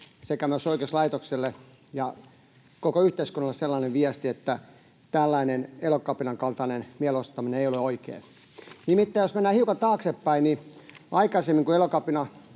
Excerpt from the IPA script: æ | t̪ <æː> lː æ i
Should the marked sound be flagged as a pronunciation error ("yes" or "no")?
yes